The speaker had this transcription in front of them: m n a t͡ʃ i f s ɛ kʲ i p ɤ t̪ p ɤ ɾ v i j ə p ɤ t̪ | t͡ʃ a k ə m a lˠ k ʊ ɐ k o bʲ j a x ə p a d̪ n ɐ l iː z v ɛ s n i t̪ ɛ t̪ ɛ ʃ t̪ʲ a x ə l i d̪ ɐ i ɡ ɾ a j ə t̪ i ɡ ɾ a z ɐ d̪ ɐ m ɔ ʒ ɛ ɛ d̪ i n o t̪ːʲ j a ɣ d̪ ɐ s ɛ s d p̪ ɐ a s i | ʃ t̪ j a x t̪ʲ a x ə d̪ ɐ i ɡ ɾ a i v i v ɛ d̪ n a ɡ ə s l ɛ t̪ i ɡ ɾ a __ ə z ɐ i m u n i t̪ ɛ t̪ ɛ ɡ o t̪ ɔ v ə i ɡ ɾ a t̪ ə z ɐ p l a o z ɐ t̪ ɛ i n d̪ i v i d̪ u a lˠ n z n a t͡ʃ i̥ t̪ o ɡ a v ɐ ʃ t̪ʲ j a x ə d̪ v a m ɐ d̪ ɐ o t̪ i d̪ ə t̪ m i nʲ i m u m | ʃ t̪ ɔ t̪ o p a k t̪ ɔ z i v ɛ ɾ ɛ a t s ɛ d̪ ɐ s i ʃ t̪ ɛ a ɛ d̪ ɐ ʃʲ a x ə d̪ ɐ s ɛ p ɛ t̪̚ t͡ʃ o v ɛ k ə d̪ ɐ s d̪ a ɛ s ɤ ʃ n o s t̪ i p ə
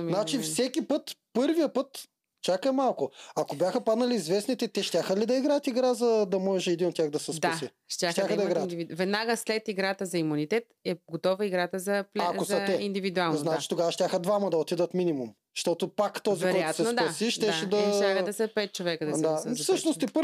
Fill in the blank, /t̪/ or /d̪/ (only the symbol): t̪